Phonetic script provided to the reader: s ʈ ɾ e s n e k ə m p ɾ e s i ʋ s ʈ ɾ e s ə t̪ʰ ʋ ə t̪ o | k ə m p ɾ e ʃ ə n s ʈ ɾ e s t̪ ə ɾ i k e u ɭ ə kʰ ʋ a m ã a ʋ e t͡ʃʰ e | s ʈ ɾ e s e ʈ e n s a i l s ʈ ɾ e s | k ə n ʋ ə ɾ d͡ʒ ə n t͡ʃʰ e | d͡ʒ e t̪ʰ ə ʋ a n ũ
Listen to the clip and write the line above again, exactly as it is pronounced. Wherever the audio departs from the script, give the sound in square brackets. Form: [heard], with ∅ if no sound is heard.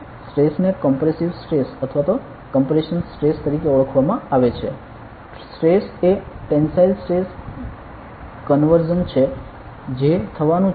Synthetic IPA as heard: s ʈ ɾ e s n e k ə m p ɾ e s i ʋ s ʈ ɾ e s ə t̪ʰ ʋ [a] t̪ o | k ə m p ɾ e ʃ ə n s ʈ ɾ e s t̪ ə ɾ i k e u ɭ ə kʰ ʋ a m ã a ʋ e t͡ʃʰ e | s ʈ ɾ e s e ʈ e n s a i l s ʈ ɾ e s | k ə n ʋ ə ɾ d͡ʒ ə n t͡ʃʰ e | d͡ʒ e t̪ʰ ə ʋ a n ũ